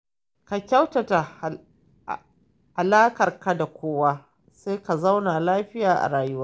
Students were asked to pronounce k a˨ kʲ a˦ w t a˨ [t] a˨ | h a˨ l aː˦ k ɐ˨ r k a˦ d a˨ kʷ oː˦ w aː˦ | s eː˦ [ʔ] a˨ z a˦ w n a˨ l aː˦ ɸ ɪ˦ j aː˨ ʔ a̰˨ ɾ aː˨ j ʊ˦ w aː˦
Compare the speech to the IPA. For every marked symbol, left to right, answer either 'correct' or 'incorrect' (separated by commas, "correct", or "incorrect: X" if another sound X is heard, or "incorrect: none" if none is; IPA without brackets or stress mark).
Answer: correct, incorrect: k